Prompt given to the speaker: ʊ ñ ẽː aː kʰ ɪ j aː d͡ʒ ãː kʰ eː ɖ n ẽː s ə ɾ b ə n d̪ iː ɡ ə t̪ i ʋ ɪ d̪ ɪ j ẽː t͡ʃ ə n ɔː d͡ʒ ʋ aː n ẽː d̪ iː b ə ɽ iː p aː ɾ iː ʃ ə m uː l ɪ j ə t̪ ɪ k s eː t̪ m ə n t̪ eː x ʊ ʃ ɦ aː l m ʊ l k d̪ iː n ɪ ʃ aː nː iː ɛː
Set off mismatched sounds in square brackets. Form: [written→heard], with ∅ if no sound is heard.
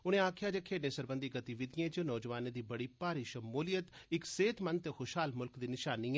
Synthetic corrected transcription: ʊ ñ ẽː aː kʰ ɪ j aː d͡ʒ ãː kʰ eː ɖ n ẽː s ə ɾ b ə n d̪ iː ɡ ə t̪ i ʋ ɪ d̪ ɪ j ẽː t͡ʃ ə n ɔː d͡ʒ ʋ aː n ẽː d̪ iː b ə ɽ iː p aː ɾ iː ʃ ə m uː l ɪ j ə t̪ ɪ k s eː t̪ m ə n t̪ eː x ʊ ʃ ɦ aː l m ʊ l k d̪ iː n ɪ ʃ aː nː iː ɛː